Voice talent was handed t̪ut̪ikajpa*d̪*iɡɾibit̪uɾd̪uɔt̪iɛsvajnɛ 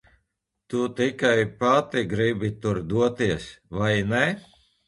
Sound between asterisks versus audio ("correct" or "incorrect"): incorrect